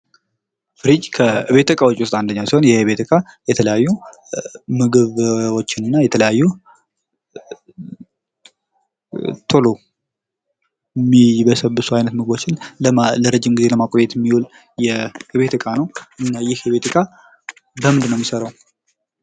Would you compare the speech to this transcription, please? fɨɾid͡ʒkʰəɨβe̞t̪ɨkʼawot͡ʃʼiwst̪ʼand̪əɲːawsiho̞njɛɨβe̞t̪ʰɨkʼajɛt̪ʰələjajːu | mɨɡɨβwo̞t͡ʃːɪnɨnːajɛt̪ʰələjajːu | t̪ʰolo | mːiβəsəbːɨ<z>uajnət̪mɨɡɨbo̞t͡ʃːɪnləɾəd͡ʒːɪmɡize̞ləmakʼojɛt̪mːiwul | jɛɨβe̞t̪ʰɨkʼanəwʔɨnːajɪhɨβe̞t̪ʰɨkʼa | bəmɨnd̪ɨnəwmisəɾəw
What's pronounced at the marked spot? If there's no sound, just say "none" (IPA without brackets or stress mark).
s